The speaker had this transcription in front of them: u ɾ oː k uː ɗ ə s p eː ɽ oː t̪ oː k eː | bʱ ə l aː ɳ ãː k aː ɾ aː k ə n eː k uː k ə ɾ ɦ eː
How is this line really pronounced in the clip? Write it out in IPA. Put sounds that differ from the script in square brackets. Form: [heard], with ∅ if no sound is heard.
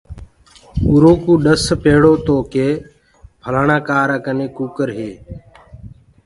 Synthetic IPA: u ɾ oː k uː ɗ ə s p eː ɽ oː t̪ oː k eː | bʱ ə l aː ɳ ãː k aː ɾ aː k ə n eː k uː k ə ɾ ɦ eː